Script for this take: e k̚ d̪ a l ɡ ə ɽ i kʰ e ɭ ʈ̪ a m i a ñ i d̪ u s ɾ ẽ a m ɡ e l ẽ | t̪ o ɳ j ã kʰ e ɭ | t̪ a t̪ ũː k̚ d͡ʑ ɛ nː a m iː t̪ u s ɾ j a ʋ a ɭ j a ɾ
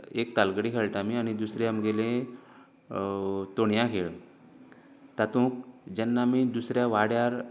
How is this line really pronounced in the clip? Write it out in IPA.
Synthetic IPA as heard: e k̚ t̪ a l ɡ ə ɽ i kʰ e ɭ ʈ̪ a m i a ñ i d̪ u s ɾ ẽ a m ɡ e l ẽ | t̪ o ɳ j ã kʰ e ɭ | t̪ a t̪ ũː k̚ d͡ʑ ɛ nː a m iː d̪ u s ɾ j a ʋ a ɽ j a ɾ